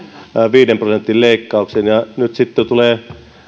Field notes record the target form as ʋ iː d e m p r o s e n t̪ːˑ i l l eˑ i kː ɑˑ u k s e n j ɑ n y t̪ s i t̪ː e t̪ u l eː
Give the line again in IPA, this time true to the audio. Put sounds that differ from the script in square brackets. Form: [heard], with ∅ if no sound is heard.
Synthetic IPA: ʋ iː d e m p r o s e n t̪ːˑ i l l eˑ i kː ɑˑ u k s e n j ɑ n y t̪ s i t̪ː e t̪ u l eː

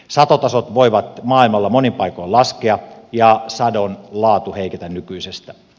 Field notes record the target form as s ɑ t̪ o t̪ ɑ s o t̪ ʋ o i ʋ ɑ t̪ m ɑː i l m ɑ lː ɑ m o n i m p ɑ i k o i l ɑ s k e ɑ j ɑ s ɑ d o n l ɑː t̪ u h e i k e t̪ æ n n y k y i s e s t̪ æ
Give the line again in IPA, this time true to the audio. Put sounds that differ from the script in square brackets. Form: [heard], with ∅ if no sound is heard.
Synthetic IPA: s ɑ t̪ o t̪ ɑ s o t̪ ʋ o i ʋ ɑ t̪ m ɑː i l m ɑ lː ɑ m o n i m p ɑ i k o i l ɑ s k e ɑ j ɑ s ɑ d o n l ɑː t̪ u h e i k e t̪ æ n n y k y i s e s t̪ æ

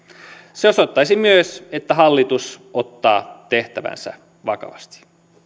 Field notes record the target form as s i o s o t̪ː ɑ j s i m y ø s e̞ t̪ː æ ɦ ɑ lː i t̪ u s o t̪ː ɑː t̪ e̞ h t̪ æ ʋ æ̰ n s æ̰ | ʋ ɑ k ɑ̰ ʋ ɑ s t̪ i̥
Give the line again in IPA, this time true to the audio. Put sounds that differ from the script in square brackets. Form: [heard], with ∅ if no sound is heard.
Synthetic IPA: s [e] o s o t̪ː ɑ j s i m y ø s e̞ t̪ː æ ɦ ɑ lː i t̪ u s o t̪ː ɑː t̪ e̞ h t̪ æ ʋ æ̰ n s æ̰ | ʋ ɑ k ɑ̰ ʋ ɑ s t̪ i̥

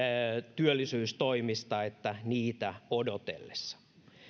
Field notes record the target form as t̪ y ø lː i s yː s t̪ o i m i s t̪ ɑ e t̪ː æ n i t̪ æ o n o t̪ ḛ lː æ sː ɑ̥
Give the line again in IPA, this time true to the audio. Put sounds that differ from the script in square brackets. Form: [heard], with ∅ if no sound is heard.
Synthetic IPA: t̪ y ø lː i s yː s t̪ o i m i s t̪ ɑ e t̪ː æ n [iː] t̪ æ o [d] o t̪ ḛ lː [e] sː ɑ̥

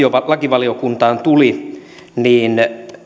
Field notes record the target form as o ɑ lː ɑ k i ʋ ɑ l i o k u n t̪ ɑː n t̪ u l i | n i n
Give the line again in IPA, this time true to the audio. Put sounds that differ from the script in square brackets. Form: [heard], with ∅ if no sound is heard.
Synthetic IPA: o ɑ [l] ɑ k i ʋ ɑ l i o k u n t̪ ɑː n t̪ u l i | n [iː] n

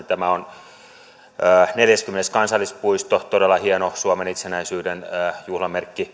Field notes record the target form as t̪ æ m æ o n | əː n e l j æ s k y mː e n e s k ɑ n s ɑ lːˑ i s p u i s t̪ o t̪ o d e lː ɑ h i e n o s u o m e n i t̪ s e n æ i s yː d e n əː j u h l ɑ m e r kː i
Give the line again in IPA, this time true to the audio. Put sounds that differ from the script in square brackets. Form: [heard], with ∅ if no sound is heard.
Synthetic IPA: t̪ æ m æ o n | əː n e l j æ s k y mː e n e s k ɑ n s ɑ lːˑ i s p u i s t̪ o t̪ o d e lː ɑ h i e n o s u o m e n i t̪ s e n æ i s yː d e n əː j u h l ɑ m e r kː i

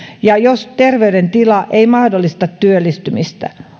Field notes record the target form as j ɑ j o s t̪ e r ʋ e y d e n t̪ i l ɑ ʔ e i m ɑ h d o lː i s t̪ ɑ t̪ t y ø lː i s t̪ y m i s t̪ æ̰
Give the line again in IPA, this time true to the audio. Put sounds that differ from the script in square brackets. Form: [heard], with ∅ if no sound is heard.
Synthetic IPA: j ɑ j o s t̪ e r ʋ e y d e n t̪ i l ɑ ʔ e i m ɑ h d o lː i s t̪ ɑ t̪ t y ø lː i s t̪ y m i s t̪ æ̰

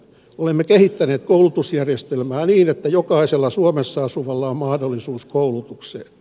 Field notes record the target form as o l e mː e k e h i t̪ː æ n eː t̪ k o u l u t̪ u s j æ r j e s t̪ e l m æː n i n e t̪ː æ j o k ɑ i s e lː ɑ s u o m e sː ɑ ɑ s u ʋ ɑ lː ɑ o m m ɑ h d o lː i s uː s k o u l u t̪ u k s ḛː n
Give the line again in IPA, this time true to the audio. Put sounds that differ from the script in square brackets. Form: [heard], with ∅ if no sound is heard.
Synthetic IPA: o l e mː e k e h i t̪ː æ n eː t̪ k o u l u t̪ u s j æ r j e s t̪ e l m æː n [iː] n e t̪ː æ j o k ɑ i s e lː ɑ s u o m e sː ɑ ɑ s u ʋ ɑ lː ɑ o m m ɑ h d o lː i s uː s k o u l u t̪ u k s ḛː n

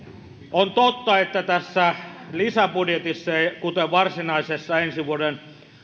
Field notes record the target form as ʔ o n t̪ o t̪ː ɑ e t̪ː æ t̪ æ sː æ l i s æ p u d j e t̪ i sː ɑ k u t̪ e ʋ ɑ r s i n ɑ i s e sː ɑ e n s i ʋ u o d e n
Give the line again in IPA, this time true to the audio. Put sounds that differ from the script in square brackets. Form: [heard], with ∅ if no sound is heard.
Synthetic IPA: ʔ o n t̪ o t̪ː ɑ e t̪ː æ t̪ æ sː æ l i s æ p u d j e t̪ i sː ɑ k u t̪ e ʋ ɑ r s i n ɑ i s e sː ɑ e n s i ʋ u o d e n

